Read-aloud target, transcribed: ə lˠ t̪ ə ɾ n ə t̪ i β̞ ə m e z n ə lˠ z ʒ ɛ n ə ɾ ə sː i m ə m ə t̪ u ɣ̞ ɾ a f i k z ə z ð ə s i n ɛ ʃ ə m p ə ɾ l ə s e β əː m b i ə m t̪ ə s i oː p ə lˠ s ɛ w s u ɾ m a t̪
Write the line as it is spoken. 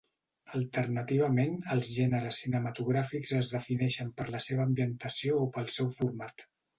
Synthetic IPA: ə lˠ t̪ ə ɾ n ə t̪ i β̞ ə m e n ə lˠ z ʒ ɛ n ə ɾ ə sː i n ə m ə t̪ u ɣ̞ ɾ a f i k z ə z ð ə f i n ɛ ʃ ə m p ə ɾ l ə s e β əː m b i ə n t̪ ə s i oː p ə lˠ s ɛ w f u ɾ m a t̪